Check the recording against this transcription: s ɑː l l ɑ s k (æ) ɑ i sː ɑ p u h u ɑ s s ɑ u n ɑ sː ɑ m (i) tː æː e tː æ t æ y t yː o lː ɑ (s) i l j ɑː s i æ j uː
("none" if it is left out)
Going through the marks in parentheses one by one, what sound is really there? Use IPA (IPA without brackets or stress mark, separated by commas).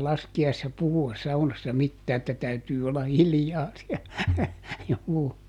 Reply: i, i, h